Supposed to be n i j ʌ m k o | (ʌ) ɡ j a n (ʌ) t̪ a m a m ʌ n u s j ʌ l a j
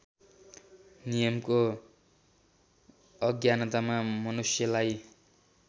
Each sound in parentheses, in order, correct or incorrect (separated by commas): correct, correct